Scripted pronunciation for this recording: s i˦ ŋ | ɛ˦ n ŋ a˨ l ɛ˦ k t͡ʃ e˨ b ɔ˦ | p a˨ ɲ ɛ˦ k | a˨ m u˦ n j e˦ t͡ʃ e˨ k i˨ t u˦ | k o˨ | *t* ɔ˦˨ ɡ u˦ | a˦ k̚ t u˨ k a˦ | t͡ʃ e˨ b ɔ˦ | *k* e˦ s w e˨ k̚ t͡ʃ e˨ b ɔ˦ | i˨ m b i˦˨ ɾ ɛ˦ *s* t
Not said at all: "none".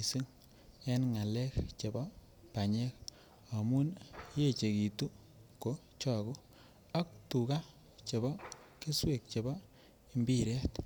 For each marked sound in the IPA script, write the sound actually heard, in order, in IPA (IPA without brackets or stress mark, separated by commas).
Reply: t͡ʃ, k, none